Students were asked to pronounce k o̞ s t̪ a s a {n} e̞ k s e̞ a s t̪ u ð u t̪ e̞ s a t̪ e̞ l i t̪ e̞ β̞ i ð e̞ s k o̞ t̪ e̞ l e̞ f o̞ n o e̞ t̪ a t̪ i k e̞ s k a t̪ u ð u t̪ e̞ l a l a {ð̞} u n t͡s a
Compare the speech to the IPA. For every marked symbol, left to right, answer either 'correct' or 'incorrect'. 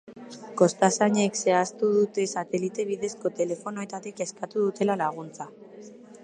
incorrect: ɲ, incorrect: ɣ̞

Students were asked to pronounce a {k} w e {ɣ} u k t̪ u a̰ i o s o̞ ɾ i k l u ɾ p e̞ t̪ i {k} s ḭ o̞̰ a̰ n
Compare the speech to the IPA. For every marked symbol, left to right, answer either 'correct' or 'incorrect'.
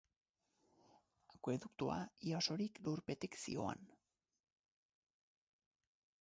correct, incorrect: ð, correct

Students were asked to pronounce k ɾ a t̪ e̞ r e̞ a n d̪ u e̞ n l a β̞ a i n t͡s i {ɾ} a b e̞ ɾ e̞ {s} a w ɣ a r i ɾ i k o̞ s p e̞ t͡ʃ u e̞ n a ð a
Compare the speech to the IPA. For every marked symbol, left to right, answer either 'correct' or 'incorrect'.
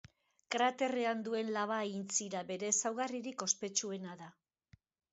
correct, correct

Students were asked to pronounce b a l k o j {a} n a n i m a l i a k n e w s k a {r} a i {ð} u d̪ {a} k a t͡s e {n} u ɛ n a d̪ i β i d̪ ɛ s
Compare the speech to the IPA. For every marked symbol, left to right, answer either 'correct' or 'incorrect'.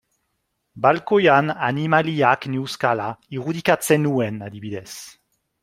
correct, incorrect: l, incorrect: ʁ, incorrect: i, correct

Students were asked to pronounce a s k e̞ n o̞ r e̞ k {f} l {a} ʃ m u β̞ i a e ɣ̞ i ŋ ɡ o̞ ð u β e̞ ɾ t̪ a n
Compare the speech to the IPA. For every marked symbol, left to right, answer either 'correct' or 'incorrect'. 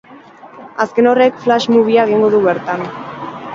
correct, correct

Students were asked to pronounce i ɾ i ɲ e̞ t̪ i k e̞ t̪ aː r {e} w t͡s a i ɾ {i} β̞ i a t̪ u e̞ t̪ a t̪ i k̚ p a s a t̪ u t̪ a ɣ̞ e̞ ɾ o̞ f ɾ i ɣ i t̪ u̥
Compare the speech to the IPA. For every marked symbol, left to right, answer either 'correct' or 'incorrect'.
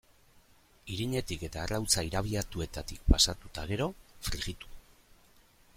incorrect: a, incorrect: a

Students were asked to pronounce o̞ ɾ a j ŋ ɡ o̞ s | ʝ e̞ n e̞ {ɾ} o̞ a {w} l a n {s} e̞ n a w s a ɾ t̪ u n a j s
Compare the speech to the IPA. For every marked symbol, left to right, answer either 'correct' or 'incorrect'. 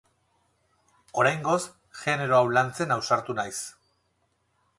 correct, correct, incorrect: t͡s

